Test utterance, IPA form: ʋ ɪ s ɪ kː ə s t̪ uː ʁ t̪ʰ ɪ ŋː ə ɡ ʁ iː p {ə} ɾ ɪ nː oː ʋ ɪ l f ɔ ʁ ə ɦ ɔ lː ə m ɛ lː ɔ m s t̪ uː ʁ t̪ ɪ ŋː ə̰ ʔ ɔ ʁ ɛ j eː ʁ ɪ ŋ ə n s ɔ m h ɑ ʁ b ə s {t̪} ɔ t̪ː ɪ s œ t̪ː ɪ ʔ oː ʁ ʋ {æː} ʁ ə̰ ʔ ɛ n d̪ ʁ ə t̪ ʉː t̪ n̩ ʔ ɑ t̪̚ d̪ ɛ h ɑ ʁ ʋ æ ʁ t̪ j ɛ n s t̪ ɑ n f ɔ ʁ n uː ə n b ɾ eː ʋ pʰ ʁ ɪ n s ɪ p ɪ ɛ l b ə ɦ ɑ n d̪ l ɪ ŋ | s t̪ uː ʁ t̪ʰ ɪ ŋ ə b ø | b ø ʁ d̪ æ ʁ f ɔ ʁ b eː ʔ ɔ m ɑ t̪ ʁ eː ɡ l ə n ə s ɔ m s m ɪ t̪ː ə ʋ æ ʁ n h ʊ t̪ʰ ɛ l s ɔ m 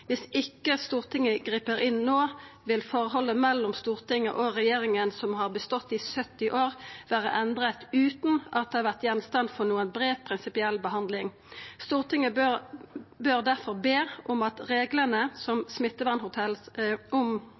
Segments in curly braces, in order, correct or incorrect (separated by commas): correct, correct, correct